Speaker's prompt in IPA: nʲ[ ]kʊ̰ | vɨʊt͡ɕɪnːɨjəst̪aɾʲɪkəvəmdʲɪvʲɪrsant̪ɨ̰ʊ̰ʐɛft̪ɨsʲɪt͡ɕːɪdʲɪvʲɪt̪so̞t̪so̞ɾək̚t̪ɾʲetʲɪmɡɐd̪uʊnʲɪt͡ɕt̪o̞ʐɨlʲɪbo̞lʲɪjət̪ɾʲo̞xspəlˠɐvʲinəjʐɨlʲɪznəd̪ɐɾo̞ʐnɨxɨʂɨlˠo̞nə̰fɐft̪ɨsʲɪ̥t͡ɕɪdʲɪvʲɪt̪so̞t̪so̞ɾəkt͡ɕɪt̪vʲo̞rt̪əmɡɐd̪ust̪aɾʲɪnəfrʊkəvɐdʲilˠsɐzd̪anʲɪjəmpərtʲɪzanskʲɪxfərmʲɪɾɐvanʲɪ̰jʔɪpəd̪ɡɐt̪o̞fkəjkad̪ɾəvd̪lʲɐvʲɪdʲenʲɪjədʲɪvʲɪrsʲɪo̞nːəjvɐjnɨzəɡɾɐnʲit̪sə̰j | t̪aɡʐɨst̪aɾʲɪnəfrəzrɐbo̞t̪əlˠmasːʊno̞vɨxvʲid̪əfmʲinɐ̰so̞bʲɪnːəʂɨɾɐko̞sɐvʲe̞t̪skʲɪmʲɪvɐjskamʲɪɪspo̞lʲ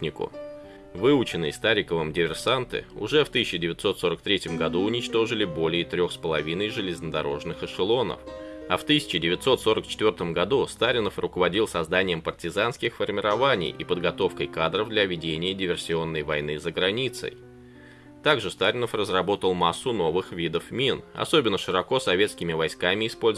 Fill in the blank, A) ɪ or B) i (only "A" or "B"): A